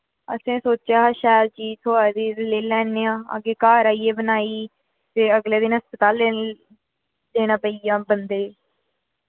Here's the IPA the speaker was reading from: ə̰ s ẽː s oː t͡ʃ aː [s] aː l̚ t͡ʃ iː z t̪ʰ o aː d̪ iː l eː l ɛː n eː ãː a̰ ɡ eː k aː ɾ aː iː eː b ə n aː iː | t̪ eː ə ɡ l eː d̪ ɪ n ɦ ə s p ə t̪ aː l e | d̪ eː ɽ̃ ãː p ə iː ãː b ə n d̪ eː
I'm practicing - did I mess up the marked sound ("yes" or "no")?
yes